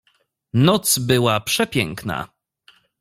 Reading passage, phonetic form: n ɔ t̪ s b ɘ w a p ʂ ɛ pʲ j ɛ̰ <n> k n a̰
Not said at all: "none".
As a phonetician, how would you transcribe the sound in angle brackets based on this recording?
ŋ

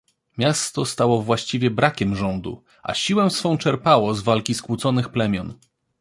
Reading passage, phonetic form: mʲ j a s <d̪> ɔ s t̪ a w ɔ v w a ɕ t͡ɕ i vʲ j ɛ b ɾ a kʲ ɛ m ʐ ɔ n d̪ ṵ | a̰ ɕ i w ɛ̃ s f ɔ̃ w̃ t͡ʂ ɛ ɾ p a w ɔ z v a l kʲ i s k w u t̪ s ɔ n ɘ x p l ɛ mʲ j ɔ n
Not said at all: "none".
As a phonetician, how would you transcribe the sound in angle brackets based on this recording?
t̪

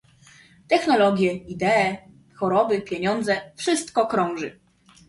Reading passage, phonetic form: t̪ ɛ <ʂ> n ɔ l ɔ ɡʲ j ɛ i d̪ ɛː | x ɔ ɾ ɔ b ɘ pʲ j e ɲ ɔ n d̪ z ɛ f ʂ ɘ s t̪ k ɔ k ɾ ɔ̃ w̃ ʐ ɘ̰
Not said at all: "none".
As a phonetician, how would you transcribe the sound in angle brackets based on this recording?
x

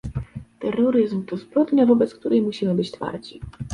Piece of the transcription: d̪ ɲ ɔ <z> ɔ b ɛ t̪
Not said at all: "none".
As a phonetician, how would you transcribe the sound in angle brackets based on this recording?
v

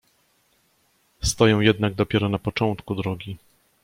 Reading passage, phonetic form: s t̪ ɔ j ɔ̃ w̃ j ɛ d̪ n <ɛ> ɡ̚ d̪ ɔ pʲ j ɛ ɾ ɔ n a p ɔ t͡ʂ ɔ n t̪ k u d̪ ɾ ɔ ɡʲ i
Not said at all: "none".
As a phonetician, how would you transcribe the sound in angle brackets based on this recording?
a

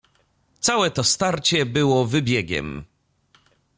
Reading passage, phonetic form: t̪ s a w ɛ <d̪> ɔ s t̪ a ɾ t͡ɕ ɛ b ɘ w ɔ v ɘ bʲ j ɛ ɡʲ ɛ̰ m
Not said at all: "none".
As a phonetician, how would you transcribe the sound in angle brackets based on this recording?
t̪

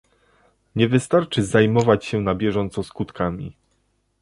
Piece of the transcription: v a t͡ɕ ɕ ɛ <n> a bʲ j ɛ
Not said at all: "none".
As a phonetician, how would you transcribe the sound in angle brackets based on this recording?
n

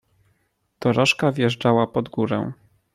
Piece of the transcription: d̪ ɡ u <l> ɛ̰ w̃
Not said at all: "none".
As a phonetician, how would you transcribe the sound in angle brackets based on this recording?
ɾ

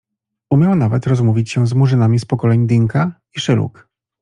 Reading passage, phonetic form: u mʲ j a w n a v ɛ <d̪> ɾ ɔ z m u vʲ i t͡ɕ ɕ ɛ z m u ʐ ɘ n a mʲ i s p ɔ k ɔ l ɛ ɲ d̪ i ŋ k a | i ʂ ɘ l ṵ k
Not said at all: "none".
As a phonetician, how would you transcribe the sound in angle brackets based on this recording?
t̪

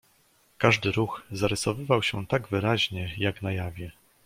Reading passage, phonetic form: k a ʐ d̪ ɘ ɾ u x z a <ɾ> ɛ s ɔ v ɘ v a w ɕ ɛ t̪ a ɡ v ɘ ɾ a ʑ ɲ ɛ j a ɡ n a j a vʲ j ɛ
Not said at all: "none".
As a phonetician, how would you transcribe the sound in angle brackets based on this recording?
ɾ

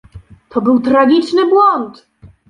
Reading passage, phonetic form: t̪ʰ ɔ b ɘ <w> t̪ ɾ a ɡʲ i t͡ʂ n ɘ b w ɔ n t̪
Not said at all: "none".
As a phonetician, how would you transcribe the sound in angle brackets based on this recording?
w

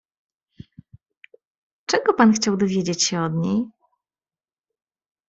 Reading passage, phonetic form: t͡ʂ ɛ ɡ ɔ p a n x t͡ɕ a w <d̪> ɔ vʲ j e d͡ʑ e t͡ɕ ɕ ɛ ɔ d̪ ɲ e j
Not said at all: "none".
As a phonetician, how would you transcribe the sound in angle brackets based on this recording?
d̪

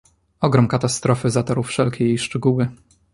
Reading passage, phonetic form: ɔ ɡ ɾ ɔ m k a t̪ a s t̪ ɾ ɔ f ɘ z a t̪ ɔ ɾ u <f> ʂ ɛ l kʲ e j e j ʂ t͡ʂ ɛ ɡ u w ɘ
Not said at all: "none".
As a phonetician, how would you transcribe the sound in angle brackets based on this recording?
f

